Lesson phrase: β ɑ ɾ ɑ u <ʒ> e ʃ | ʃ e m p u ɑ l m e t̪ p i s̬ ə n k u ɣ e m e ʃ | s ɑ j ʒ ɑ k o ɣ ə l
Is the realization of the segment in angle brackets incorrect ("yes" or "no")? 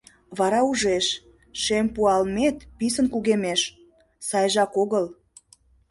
no